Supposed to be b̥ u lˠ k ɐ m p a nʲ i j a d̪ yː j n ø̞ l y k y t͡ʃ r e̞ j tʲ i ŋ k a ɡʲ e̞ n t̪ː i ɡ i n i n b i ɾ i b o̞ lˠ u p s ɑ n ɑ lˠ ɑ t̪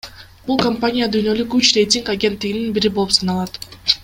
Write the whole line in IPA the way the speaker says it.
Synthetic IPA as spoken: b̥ u lˠ k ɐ m p a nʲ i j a d̪ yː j n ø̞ l y k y t͡ʃ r e̞ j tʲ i ŋ k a ɡʲ e̞ n t̪ː i ɡ i n i n b i ɾ i b o̞ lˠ u p s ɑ n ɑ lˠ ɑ t̪